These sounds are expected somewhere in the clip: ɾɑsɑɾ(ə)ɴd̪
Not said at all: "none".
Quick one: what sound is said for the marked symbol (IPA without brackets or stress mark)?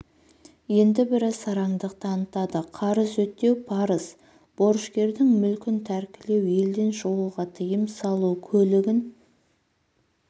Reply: ɑ